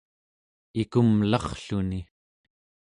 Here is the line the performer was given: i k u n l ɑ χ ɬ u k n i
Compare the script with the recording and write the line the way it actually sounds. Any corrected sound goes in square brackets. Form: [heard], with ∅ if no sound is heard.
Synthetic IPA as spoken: i k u [m] l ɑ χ ɬ u [∅] n i